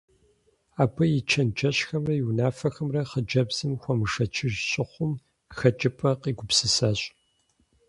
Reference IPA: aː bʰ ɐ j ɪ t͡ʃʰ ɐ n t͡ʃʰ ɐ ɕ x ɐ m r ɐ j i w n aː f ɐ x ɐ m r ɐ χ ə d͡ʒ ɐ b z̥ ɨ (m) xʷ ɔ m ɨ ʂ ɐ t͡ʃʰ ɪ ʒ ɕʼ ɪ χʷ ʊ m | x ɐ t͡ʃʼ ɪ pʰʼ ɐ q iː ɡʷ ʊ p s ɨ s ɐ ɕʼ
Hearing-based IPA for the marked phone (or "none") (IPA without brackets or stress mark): m